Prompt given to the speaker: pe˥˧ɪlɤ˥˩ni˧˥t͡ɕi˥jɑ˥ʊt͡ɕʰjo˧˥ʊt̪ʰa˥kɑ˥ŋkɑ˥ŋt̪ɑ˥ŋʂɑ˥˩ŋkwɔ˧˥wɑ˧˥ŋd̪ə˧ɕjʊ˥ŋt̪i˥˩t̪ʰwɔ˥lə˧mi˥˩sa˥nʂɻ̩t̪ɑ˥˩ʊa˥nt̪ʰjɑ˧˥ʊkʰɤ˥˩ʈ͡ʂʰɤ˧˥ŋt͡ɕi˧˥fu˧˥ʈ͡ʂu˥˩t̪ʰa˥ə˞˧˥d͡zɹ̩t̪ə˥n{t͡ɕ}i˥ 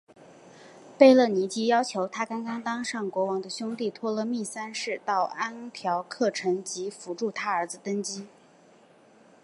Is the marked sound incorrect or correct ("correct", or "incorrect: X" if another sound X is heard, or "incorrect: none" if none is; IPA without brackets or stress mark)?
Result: correct